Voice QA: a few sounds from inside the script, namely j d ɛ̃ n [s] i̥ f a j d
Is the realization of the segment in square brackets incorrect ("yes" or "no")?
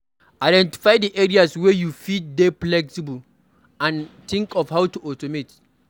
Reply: yes